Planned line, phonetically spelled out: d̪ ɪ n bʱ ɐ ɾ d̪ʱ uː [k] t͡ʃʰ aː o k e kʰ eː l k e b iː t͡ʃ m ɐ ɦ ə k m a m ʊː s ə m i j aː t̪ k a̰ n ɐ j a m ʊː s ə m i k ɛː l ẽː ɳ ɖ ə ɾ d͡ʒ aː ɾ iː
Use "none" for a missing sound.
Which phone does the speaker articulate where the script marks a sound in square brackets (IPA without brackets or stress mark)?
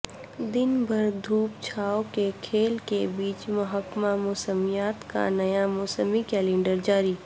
p